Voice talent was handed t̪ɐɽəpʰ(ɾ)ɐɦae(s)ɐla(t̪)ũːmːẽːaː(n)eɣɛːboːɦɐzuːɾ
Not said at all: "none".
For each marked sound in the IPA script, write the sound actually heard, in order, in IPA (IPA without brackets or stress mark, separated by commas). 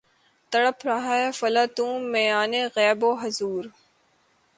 ɾ, f, t̪, n